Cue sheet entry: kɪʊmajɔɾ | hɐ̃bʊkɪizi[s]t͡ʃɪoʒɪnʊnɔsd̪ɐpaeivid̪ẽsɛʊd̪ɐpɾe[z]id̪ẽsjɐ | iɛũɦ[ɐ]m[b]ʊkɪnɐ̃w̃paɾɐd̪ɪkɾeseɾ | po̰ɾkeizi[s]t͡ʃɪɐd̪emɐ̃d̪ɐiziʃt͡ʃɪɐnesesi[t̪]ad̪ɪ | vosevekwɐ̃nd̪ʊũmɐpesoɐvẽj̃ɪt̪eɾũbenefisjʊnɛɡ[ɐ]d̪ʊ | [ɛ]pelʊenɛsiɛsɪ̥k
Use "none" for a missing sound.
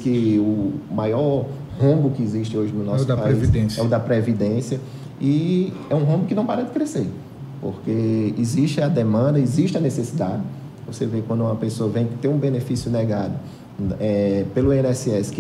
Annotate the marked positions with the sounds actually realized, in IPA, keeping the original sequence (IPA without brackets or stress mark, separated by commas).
ʃ, v, ɐ̃, b, ʃ, d̪, a, ɛ